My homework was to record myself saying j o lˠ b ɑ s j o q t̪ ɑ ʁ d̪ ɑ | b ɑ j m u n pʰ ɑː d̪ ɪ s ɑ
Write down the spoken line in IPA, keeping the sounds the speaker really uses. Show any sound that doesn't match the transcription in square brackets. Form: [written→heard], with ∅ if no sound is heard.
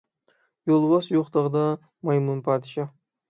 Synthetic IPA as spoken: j o lˠ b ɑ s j o q t̪ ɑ ʁ d̪ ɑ | [b→m] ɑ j m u n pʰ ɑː d̪ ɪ [s→ʃ] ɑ

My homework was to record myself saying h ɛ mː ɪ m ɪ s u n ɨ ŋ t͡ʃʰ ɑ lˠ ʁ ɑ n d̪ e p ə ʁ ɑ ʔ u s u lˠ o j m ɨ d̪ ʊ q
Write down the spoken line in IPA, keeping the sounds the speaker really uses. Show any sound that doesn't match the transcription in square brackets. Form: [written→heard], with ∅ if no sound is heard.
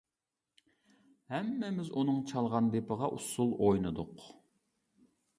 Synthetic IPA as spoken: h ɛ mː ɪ m ɪ [s→z] u n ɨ ŋ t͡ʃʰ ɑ lˠ ʁ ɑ n d̪ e p ə ʁ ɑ ʔ u s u lˠ o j [m→n] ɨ d̪ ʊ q

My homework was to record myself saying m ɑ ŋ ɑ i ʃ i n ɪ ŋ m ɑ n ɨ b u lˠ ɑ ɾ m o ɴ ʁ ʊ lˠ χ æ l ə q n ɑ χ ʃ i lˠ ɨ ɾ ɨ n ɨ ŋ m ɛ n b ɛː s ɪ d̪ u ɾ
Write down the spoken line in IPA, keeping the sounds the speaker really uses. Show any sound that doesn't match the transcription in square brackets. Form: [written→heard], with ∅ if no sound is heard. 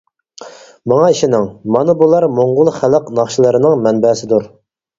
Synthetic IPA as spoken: m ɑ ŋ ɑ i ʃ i n ɪ ŋ m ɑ n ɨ b u lˠ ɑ ɾ m o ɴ ʁ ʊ lˠ χ æ l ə q n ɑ χ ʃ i lˠ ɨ ɾ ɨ n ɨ ŋ m ɛ n b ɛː s ɪ d̪ u ɾ

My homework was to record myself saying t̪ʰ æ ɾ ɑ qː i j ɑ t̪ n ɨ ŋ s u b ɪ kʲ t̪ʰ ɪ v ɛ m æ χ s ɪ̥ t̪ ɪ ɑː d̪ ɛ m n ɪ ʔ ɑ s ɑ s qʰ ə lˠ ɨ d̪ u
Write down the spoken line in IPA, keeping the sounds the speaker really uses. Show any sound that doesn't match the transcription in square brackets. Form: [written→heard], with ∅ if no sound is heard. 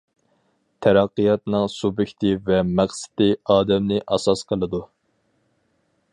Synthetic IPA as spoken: t̪ʰ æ ɾ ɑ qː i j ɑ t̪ n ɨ ŋ s u b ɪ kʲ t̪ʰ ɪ v ɛ m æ χ s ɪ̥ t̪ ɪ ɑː d̪ ɛ m n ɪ ʔ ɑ s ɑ s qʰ ə lˠ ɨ d̪ u

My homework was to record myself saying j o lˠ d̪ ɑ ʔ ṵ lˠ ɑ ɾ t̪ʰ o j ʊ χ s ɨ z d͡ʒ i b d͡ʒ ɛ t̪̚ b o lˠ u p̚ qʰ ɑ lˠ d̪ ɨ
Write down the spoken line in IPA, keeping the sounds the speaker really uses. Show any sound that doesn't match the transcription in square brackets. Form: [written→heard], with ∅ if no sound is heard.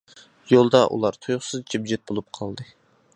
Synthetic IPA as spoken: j o lˠ d̪ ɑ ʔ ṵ lˠ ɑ ɾ t̪ʰ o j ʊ χ s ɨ z d͡ʒ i b d͡ʒ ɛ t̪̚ b o lˠ u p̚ qʰ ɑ lˠ d̪ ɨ

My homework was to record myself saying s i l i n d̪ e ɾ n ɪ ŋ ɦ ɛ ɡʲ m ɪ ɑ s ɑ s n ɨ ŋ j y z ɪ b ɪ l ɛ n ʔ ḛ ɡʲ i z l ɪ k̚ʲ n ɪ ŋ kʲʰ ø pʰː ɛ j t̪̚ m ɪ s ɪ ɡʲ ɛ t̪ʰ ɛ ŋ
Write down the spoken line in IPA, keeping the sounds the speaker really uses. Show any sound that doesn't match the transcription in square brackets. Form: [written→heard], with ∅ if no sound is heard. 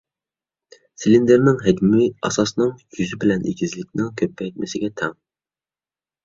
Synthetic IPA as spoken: s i l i n d̪ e ɾ n ɪ ŋ ɦ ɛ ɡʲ m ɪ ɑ s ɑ s n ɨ ŋ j y z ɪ b ɪ l ɛ n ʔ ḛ ɡʲ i z l ɪ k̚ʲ n ɪ ŋ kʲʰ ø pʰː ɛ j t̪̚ m ɪ s ɪ ɡʲ ɛ t̪ʰ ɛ ŋ

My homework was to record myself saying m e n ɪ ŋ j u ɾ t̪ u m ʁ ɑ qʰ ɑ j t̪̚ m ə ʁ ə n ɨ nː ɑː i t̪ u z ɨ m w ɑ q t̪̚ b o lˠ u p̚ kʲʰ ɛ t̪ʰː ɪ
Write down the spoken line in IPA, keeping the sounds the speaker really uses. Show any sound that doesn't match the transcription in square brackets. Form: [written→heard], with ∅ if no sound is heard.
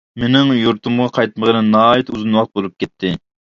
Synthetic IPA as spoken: m e n ɪ ŋ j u ɾ t̪ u m ʁ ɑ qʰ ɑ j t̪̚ m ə ʁ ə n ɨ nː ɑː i t̪ u z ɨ [m→n] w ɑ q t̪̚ b o lˠ u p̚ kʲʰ ɛ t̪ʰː ɪ

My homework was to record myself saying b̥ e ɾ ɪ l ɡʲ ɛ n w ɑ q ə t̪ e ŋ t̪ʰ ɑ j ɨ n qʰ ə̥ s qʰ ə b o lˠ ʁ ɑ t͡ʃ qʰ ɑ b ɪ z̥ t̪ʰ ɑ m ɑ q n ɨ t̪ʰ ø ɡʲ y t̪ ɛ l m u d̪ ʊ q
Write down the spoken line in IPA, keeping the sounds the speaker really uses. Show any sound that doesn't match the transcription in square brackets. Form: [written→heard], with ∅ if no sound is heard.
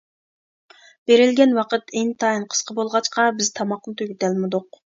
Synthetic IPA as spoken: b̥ e ɾ ɪ l ɡʲ ɛ n w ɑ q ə t̪ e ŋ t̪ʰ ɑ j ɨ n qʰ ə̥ s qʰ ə b o lˠ ʁ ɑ t͡ʃ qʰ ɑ b ɪ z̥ t̪ʰ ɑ m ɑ q n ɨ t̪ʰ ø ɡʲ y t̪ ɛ l m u d̪ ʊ q

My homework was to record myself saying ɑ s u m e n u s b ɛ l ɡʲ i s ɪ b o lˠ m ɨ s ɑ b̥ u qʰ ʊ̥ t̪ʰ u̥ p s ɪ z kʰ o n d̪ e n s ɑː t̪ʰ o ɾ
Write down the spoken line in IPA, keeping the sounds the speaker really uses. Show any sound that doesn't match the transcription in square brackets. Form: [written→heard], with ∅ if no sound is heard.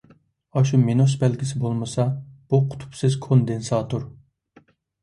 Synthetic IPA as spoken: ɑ [s→ʃ] u m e n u s b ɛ l ɡʲ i s ɪ b o lˠ m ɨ s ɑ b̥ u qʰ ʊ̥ t̪ʰ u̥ p s ɪ z kʰ o n d̪ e n s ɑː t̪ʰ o ɾ

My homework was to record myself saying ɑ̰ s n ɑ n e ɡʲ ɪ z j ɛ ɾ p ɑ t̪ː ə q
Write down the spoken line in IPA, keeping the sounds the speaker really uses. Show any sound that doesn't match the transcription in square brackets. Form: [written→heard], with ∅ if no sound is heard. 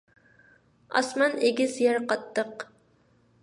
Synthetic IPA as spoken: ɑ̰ s [n→m] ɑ n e ɡʲ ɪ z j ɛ ɾ [p→q] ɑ t̪ː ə q

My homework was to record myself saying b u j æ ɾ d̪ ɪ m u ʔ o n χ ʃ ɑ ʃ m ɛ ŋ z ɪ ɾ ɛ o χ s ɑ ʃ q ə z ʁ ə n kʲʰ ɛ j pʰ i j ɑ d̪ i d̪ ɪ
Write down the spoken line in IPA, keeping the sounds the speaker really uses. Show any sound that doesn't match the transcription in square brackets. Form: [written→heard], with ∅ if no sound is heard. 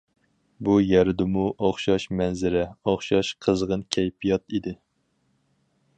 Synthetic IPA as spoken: b u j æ ɾ d̪ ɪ m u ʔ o [n→∅] χ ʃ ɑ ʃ m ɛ [ŋ→n] z ɪ ɾ ɛ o χ [s→ʃ] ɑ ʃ [q→qʰ] ə z ʁ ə n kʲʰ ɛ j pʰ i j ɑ [d̪→t̪] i d̪ ɪ

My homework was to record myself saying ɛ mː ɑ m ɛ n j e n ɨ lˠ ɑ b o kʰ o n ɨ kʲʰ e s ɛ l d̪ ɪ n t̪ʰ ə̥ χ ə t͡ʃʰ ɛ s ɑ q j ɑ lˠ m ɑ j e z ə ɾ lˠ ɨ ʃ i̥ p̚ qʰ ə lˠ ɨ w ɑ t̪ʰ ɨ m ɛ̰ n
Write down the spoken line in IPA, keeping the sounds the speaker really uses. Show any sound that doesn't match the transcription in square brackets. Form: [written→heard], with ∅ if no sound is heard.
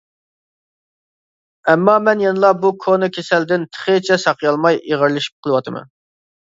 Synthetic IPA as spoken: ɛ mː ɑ m ɛ n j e n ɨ lˠ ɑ b [o→u] kʰ o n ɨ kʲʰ e s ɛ l d̪ ɪ n t̪ʰ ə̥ χ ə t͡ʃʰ ɛ s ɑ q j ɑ lˠ m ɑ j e [z→ʁ] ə ɾ lˠ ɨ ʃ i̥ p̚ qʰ ə lˠ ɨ w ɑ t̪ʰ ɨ m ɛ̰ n

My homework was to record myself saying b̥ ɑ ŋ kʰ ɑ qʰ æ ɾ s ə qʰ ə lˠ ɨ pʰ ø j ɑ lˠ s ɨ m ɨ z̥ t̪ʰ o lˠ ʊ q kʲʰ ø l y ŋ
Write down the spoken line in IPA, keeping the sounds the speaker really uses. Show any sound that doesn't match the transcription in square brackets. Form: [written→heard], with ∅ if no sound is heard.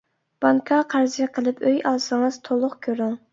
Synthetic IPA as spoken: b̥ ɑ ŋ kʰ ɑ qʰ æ ɾ [s→z] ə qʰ ə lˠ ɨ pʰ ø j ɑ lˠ s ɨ [m→ŋ] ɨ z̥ t̪ʰ o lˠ ʊ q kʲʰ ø [l→ɾ] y ŋ

